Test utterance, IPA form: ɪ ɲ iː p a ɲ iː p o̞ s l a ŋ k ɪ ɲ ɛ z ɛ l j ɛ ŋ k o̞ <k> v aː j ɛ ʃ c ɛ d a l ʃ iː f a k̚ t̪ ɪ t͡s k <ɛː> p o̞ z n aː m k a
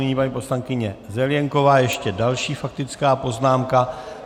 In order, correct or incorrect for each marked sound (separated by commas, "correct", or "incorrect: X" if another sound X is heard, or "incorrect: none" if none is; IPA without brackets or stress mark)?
incorrect: none, incorrect: aː